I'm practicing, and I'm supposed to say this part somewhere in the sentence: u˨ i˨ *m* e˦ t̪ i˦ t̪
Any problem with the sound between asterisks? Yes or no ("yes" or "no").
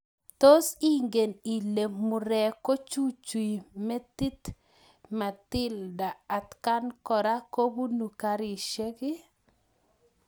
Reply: no